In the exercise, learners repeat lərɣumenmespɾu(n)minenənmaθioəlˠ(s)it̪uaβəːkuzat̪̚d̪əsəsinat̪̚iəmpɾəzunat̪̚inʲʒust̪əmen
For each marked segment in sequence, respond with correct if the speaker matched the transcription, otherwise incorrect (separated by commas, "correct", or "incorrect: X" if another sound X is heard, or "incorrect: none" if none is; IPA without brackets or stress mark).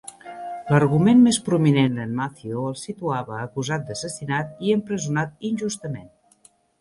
incorrect: none, correct